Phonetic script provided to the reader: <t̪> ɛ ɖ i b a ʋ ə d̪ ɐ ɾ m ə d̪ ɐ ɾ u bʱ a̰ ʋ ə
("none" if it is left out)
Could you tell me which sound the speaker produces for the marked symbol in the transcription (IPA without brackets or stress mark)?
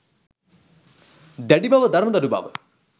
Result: d̪